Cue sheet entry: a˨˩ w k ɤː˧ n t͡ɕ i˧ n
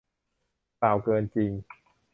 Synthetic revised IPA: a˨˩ w k ɤː˧ n t͡ɕ i˧ ŋ